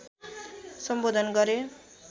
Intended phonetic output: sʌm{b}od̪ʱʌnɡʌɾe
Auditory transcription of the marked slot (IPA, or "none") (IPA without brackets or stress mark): b